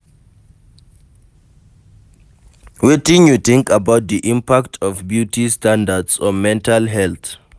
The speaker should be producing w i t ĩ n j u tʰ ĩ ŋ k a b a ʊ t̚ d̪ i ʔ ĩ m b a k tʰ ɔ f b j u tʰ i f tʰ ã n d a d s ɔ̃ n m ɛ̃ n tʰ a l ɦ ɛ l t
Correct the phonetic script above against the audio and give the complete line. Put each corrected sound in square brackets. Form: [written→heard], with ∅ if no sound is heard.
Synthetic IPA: w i t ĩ n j u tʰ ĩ ŋ k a b a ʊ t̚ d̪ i ʔ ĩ m [b→p] a k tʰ ɔ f b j u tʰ i [f→s] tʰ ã n d a d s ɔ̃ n m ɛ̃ n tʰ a l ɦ ɛ l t